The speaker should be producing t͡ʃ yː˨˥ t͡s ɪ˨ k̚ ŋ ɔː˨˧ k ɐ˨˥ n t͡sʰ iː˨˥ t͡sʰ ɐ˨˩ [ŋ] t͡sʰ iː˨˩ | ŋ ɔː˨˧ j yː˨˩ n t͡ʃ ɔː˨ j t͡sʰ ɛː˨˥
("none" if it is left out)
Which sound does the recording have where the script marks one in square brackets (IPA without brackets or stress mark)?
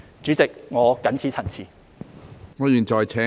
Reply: n